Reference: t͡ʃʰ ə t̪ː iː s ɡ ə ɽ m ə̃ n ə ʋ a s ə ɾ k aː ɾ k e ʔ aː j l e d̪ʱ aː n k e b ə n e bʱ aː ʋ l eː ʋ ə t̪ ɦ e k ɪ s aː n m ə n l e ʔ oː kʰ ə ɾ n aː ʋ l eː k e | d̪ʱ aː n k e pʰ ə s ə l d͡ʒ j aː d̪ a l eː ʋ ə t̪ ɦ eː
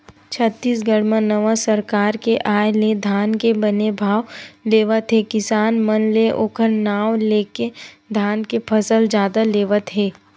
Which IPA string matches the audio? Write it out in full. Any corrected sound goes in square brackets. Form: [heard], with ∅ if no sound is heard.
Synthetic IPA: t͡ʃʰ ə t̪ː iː s ɡ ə ɽ m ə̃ n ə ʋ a s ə ɾ k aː ɾ k e ʔ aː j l e d̪ʱ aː n k e b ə n e bʱ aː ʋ l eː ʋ ə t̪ ɦ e k ɪ s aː n m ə n l e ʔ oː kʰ ə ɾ n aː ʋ l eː k e | d̪ʱ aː n k e pʰ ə s ə l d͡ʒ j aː d̪ a l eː ʋ ə t̪ ɦ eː